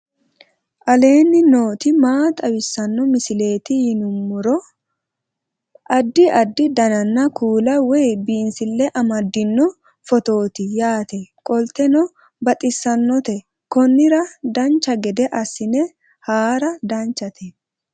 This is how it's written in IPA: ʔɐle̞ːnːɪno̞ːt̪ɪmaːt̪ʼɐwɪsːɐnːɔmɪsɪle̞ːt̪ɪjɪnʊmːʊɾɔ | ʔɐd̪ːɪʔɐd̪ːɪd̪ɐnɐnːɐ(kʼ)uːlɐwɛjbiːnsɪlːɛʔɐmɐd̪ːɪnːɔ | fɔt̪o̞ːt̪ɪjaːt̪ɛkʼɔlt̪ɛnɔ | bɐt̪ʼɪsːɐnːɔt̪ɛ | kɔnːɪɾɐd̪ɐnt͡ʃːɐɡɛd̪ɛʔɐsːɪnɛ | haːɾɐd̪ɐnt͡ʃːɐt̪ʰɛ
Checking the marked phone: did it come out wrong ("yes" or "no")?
yes